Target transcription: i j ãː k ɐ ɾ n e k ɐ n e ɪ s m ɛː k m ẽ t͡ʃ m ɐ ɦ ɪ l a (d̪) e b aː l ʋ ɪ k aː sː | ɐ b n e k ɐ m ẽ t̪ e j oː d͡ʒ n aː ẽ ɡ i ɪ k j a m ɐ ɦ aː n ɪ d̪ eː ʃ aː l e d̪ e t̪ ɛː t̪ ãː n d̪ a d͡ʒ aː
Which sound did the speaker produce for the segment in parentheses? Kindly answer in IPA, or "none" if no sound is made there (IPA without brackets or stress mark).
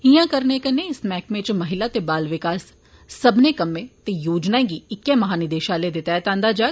t̪